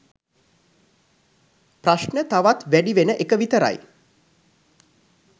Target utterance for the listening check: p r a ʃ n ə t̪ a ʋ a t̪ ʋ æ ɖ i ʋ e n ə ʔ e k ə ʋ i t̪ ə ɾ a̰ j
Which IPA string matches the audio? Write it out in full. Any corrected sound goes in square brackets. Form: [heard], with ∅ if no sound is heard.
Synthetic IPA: p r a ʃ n ə t̪ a ʋ a t̪ ʋ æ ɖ i ʋ e n ə ʔ e k ə ʋ i t̪ ə ɾ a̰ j